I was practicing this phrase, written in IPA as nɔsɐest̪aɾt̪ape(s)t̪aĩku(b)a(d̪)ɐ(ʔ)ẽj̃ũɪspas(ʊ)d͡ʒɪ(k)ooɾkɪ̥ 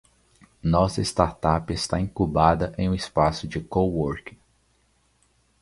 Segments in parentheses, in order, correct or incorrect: correct, correct, correct, correct, correct, correct

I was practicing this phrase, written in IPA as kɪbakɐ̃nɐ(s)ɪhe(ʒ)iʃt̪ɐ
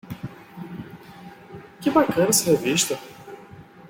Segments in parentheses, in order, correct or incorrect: correct, incorrect

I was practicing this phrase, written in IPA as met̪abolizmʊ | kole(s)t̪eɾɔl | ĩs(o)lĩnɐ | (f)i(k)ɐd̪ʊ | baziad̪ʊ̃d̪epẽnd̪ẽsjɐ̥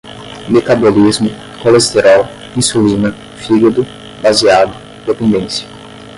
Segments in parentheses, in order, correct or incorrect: correct, incorrect, correct, incorrect

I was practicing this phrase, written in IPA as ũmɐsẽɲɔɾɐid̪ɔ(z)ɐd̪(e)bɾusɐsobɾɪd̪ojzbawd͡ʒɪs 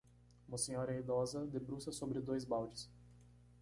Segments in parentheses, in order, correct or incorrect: correct, correct

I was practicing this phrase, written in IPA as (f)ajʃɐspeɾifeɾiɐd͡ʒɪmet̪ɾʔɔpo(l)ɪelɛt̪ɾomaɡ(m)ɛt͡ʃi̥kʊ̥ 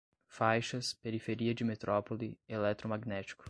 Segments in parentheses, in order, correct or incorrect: correct, correct, incorrect

